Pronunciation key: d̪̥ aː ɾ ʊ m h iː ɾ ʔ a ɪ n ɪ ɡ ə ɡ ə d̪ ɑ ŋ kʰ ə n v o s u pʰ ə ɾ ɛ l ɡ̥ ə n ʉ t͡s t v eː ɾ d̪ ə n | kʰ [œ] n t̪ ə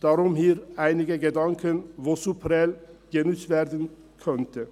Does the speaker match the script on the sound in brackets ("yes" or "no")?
yes